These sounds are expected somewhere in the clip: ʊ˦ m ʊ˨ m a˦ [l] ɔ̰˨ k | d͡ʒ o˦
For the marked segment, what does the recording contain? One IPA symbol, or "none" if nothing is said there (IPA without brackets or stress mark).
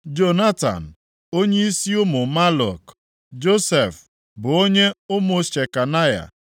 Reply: l